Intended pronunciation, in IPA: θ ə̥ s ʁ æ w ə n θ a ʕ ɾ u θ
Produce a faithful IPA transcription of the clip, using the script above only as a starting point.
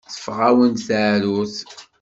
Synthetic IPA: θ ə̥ f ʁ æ w ə n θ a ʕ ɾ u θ